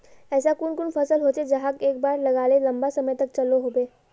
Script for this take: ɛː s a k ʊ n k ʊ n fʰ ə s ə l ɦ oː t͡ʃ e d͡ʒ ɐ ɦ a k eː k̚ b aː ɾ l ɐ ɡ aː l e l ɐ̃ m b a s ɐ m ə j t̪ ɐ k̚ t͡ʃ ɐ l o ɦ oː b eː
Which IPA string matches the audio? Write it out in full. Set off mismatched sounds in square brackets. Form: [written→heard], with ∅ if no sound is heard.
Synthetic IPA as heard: ɛː s a k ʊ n k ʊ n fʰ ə s ə l ɦ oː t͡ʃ e d͡ʒ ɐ ɦ a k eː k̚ b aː ɾ l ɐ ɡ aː l e l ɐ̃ m b a s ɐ m ə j t̪ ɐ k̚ t͡ʃ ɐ l o ɦ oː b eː